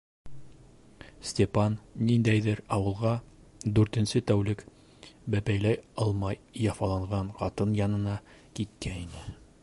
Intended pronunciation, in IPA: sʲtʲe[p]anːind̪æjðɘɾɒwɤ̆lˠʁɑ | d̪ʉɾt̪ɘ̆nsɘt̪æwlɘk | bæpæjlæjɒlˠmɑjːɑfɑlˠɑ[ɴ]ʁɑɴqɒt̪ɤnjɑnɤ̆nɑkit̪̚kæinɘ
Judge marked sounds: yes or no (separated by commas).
yes, yes